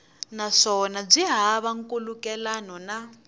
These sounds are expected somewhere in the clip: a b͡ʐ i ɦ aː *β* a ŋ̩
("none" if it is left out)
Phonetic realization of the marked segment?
β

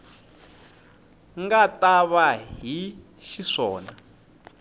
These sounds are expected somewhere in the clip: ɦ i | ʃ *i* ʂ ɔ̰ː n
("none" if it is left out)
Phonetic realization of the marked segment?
i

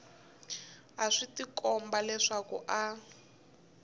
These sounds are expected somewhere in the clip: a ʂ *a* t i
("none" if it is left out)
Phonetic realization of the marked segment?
i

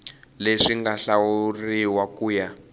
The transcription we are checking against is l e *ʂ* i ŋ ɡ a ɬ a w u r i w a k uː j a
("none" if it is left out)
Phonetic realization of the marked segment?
ʂ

